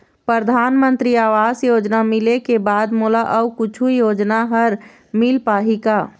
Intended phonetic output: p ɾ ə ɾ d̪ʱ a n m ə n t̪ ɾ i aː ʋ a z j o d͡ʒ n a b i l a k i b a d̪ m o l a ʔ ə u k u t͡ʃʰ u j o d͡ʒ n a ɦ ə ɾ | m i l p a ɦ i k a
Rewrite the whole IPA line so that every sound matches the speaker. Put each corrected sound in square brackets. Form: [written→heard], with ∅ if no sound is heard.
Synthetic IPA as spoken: p ɾ ə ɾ d̪ʱ a n m ə n t̪ ɾ i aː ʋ a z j o d͡ʒ n a [b→m] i l [a→e] k [i→e] b a d̪ m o l a ʔ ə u k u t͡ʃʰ u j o d͡ʒ n a ɦ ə ɾ | m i l p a ɦ i k a